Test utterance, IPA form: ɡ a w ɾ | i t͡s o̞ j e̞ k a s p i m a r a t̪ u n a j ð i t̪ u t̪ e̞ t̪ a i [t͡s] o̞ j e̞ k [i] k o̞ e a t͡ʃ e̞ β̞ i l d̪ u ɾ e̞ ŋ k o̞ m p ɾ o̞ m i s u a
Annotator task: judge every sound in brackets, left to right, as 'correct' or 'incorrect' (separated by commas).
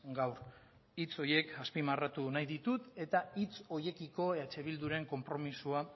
correct, correct